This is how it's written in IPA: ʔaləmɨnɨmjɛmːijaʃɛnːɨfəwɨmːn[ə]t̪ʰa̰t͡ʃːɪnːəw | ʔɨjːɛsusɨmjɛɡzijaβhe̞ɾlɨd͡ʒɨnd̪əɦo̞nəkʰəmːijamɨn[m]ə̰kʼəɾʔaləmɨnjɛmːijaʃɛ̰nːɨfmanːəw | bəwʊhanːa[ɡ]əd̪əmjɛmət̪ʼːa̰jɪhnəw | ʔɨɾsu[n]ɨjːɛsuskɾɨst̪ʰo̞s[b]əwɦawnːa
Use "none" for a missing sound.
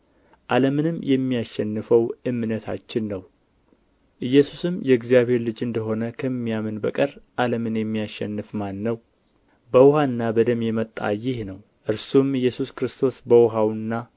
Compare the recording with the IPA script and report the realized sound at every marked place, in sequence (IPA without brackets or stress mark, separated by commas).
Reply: ə, b, b, m, b